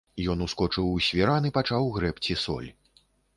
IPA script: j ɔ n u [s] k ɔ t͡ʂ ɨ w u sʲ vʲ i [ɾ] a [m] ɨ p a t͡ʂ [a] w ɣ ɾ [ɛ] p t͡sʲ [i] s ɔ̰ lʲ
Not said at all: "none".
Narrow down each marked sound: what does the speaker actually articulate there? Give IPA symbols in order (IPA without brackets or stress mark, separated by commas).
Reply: s, ɾ, n, a, ɛ, i